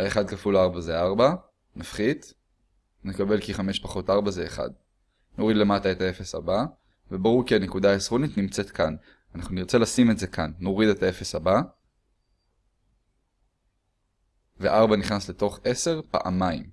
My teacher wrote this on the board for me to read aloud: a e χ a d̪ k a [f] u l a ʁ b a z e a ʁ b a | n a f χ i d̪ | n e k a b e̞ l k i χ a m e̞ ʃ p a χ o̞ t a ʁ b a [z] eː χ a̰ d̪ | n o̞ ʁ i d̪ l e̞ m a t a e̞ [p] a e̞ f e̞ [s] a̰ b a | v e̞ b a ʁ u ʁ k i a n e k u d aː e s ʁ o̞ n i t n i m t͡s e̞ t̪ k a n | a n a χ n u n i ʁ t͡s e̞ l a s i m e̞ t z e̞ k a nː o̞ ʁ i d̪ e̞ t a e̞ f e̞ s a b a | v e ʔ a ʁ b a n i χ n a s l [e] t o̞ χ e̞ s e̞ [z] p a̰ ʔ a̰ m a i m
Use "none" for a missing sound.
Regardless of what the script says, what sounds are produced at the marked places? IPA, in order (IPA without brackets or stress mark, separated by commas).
f, z, t, s, e, ʁ